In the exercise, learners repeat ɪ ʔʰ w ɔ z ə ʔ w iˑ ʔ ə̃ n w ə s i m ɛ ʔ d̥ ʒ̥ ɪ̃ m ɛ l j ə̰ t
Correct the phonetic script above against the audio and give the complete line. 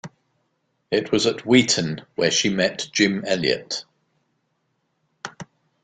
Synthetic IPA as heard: ɪ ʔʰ w ɒ z ə ʔ w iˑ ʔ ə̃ n w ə ʃ i m ɛ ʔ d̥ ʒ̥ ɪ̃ m ɛ l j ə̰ t